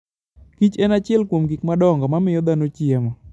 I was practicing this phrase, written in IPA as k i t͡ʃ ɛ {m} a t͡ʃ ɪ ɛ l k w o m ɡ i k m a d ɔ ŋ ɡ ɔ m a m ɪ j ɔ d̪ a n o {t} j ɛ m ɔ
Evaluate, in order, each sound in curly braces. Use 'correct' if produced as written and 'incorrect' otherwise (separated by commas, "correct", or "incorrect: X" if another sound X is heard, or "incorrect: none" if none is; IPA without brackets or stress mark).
incorrect: n, incorrect: t͡ʃ